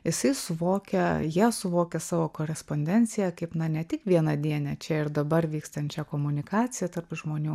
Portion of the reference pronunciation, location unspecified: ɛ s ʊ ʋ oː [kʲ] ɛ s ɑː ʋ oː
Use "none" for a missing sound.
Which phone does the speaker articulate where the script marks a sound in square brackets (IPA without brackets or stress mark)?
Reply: kʲ